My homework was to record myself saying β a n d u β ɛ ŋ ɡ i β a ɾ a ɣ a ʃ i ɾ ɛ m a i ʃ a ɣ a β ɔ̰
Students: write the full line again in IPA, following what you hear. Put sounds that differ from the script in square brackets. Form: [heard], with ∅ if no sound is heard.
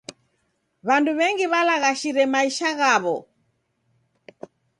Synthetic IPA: β a n d u β ɛ ŋ ɡ i β a [l] a ɣ a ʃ i ɾ ɛ m a i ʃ a ɣ a β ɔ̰